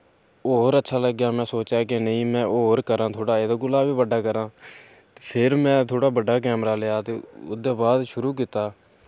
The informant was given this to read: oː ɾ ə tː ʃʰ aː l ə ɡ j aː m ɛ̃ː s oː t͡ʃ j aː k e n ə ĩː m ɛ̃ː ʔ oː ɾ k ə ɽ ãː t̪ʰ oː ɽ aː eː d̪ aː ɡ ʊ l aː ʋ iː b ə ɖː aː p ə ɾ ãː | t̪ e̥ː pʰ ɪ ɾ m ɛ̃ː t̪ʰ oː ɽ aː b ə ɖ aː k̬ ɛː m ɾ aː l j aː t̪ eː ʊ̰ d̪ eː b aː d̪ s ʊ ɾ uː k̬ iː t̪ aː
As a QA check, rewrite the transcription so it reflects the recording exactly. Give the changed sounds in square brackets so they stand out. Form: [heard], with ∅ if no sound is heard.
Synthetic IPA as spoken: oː ɾ ə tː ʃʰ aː l ə ɡ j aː m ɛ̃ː s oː t͡ʃ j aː k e n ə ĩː m ɛ̃ː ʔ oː ɾ k ə [ɾ] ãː t̪ʰ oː ɽ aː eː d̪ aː ɡ ʊ l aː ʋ iː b ə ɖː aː [k] ə ɾ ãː | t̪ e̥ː pʰ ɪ ɾ m ɛ̃ː t̪ʰ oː ɽ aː b ə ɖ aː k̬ ɛː m ɾ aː l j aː t̪ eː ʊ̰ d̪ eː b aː d̪ [ʃ] ʊ ɾ uː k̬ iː t̪ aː